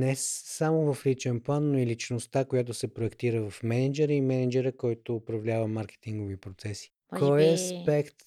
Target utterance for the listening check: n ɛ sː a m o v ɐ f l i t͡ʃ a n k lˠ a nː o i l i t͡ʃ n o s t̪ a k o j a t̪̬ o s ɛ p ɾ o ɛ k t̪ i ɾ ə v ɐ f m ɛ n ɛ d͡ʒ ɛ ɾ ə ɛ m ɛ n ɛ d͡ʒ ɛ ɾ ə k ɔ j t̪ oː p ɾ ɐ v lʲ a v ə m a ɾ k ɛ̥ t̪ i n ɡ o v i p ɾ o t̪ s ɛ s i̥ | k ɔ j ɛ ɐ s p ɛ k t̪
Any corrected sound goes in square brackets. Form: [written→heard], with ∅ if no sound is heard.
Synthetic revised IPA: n ɛ sː a m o v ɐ f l i t͡ʃ [a→ɛ] n [k→p] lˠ a nː o i l i t͡ʃ n o s t̪ a k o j a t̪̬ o s ɛ p ɾ o ɛ k t̪ i ɾ ə v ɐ f m ɛ n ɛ d͡ʒ ɛ ɾ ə [ɛ→i] m ɛ n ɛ d͡ʒ ɛ ɾ ə k ɔ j t̪ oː p ɾ ɐ v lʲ a v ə m a ɾ k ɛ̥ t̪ i [n→ŋ] ɡ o v i p ɾ o t̪ s ɛ s i̥ | k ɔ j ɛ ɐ s p ɛ k t̪